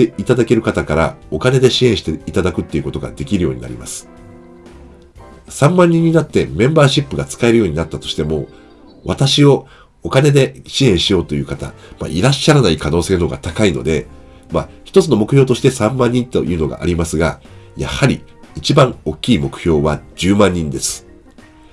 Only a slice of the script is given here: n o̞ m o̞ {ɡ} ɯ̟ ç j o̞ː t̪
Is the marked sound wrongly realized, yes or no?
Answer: yes